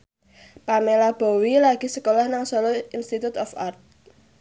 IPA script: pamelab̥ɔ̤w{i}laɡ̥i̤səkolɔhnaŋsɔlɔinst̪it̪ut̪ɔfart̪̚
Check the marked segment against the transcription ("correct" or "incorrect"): correct